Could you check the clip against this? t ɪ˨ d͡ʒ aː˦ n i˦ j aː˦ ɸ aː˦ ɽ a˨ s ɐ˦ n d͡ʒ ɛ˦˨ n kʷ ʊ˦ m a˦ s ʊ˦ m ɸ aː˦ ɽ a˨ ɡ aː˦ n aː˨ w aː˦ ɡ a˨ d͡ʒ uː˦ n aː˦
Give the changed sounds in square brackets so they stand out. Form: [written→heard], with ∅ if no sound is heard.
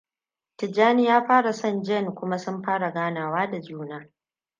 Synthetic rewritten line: t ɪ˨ d͡ʒ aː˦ n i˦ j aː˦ ɸ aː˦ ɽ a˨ s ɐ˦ n d͡ʒ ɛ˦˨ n kʷ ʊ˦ m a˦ s ʊ˦ m ɸ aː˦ ɽ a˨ ɡ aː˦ n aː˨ w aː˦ [ɡ→d] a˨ d͡ʒ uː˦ n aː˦